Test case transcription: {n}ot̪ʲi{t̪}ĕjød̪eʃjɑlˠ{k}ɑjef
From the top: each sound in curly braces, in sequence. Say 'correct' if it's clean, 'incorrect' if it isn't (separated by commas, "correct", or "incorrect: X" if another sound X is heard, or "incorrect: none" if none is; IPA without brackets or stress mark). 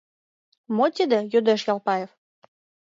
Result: incorrect: m, incorrect: d̪, incorrect: p